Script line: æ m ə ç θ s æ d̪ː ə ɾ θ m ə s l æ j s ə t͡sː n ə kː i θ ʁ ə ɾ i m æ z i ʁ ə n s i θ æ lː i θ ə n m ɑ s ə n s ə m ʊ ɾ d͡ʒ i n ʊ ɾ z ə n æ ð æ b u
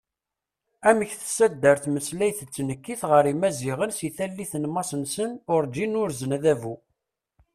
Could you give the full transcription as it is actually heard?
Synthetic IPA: æ m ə ç θ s æ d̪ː ə ɾ θ m ə s l æ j θ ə t͡sː n ə kː i θ ʁ ə ɾ i m æ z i ʁ ə n s i θ æ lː i θ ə n m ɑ s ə n s ə n ʊ ɾ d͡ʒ i n ʊ ɾ z ə n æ ð æ v u